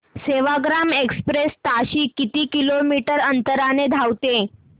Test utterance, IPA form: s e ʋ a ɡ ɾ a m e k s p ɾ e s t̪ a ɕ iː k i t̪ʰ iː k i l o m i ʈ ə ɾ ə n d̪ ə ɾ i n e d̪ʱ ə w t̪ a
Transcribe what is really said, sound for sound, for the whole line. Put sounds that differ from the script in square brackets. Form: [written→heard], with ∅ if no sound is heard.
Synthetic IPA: s e ʋ a ɡ ɾ a m e k s p ɾ e s t̪ a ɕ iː k i [t̪ʰ→t̪] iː k i l o m i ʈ ə ɾ ə n [d̪→t̪] ə ɾ [i→a] n e d̪ʱ [ə→a] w t̪ [a→e]